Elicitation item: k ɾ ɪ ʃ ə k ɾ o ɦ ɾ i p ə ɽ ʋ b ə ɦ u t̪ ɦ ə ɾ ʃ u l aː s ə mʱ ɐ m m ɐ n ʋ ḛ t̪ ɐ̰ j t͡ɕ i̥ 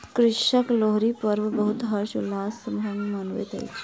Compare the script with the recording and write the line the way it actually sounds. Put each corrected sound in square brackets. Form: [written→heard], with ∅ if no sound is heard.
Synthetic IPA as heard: k ɾ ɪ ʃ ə k [ɾ→l] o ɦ ɾ i p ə [ɽ→ɾ] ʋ b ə ɦ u t̪ ɦ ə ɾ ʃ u l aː s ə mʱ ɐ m m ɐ n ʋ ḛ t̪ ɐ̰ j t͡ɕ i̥